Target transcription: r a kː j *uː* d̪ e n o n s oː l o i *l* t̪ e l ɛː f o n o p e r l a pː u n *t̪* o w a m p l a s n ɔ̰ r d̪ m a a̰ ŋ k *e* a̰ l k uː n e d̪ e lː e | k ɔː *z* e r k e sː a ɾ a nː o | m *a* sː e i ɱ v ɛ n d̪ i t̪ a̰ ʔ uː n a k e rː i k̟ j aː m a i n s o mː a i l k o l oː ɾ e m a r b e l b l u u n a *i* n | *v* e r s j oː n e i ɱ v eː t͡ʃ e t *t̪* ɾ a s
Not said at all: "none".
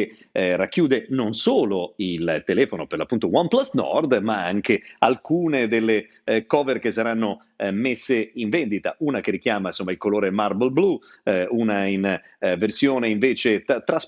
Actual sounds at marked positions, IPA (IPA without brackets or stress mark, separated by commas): uː, l, t̪, e, v, e, i, v, t̪